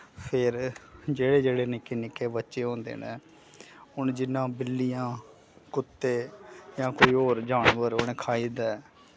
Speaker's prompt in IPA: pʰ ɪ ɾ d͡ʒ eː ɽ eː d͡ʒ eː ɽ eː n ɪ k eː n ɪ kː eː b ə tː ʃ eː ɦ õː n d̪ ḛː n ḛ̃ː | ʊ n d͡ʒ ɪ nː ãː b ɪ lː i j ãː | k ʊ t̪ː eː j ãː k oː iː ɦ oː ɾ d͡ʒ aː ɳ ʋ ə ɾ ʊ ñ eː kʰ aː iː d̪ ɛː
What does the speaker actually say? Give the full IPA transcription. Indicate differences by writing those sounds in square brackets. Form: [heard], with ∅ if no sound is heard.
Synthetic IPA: pʰ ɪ ɾ d͡ʒ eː ɽ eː d͡ʒ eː ɽ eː n ɪ k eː n ɪ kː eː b ə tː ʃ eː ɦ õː n d̪ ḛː n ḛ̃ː | ʊ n d͡ʒ ɪ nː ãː b ɪ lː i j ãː | k ʊ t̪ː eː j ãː k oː iː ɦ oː ɾ d͡ʒ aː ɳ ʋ ə ɾ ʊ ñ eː kʰ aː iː d̪ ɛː